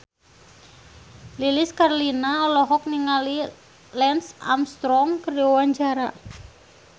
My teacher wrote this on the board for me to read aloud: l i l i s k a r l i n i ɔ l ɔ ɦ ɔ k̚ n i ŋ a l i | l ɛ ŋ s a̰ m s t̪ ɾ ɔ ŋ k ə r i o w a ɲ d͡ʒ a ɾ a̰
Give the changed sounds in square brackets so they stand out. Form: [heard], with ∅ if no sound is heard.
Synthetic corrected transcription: l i l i s k a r l i n [a] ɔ l ɔ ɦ ɔ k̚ n i ŋ a l i | l ɛ [n] s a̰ m s t̪ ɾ ɔ ŋ k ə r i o w a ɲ d͡ʒ a ɾ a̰